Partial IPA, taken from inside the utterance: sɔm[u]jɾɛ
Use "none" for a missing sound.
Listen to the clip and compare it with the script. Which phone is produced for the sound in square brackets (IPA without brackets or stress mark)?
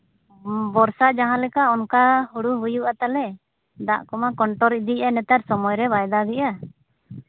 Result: ɔ